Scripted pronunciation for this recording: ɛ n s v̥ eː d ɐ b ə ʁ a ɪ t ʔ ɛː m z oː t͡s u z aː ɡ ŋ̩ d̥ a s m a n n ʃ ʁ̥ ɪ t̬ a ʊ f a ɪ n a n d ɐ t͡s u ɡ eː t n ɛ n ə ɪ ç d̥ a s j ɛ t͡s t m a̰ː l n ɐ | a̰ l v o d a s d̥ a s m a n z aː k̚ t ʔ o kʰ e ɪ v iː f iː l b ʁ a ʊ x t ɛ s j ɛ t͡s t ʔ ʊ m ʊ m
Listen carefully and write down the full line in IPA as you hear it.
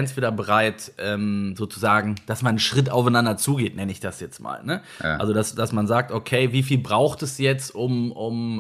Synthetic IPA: ɛ n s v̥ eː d ɐ b ə ʁ a ɪ t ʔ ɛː m z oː t͡s u z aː ɡ ŋ̩ d̥ a s m a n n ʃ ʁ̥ ɪ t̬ a ʊ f a ɪ n a n d ɐ t͡s uː ɡ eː t n ɛ n ə ɪ ç d̥ a s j ɛ t͡s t m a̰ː l n ə | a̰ l z o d a s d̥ a s m a n z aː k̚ t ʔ o kʰ e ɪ v iː f iː l b ʁ a ʊ x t ɛ s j ɛ t͡s t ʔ ʊ m ʊ m